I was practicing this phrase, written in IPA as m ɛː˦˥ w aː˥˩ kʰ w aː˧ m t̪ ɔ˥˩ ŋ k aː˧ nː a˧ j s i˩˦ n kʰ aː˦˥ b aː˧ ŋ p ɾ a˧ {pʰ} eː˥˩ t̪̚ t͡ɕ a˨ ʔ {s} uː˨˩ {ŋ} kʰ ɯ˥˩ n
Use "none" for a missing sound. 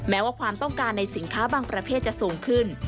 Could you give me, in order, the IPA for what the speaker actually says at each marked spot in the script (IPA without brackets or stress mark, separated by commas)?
pʰ, s, ŋ